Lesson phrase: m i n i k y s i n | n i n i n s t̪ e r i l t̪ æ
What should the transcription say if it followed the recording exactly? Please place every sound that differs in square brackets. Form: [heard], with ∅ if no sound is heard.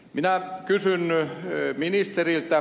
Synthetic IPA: m i n [æ] k y s [y] n | [m] i n i [∅] s t̪ e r i l t̪ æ